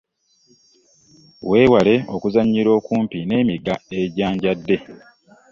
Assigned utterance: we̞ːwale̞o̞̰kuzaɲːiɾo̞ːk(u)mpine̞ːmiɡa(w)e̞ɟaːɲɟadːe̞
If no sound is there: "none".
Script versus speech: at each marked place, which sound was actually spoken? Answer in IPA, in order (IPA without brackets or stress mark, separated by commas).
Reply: uː, none